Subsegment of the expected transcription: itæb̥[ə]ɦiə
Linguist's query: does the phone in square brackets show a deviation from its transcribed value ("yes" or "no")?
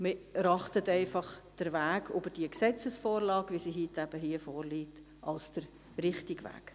no